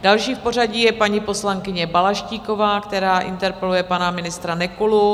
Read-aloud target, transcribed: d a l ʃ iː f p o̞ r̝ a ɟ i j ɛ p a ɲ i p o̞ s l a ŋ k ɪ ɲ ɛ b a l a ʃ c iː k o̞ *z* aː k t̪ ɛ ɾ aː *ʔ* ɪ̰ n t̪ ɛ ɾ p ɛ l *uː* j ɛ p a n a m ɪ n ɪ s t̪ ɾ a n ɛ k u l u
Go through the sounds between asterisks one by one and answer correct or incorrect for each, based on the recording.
incorrect, correct, incorrect

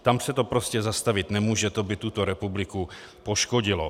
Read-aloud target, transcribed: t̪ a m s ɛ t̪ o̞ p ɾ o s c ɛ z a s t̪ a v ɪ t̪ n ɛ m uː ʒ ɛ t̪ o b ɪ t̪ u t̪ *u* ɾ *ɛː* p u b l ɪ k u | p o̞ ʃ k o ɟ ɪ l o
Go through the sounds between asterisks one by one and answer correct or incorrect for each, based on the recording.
incorrect, incorrect

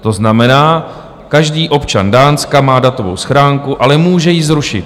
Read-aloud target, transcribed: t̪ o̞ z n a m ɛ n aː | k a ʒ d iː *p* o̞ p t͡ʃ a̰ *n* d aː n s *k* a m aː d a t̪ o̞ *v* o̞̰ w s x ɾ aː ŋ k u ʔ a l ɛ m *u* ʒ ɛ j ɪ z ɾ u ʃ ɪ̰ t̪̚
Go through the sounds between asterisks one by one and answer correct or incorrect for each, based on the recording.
incorrect, correct, correct, correct, incorrect

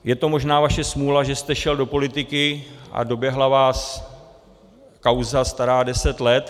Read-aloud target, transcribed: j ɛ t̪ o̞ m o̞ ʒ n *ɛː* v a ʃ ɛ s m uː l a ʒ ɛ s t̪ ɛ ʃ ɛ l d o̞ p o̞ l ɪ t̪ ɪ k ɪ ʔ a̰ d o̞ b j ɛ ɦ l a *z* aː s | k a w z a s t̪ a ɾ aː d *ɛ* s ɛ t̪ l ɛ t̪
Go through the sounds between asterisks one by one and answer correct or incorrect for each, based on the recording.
incorrect, incorrect, correct

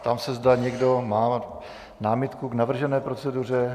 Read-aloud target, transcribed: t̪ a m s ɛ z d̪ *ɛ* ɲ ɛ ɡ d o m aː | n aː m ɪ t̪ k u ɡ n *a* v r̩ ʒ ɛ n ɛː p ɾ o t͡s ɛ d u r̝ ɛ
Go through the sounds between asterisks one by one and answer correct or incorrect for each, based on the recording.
incorrect, correct

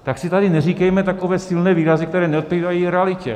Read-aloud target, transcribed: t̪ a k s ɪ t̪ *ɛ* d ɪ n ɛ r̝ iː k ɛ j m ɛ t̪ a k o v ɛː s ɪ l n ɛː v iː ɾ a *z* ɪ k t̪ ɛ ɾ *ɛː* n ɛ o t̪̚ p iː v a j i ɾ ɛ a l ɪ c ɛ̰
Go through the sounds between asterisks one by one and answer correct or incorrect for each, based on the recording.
incorrect, correct, correct

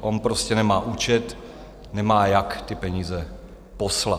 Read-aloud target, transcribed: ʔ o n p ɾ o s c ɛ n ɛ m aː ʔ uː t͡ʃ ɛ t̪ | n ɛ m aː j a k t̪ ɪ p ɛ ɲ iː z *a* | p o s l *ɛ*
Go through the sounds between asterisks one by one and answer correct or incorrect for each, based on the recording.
incorrect, incorrect

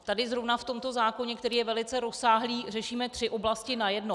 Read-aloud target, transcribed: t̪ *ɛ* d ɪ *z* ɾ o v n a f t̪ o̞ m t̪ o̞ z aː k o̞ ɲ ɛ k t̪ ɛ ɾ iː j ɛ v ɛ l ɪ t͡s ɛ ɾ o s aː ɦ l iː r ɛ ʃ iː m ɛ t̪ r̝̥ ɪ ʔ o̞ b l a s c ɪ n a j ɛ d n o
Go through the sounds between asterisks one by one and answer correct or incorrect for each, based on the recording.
incorrect, correct

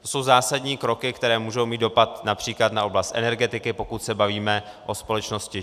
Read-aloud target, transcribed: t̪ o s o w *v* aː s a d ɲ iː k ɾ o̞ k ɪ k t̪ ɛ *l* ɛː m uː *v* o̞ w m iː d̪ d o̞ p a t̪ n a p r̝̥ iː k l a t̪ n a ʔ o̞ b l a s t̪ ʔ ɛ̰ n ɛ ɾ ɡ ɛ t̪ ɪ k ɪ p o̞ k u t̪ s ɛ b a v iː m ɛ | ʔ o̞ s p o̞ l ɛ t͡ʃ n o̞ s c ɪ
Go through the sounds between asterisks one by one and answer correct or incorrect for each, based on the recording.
incorrect, incorrect, incorrect

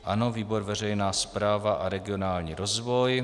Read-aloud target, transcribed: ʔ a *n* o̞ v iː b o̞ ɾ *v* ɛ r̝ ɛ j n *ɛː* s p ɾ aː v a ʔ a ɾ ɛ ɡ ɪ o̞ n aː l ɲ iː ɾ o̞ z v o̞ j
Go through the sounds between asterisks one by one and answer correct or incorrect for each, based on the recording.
correct, correct, incorrect

